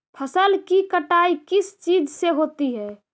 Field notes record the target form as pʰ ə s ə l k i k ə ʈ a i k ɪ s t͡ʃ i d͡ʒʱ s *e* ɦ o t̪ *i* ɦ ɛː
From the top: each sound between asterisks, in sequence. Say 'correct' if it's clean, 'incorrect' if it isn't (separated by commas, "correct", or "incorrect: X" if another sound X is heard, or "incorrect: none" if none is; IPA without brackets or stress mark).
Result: correct, correct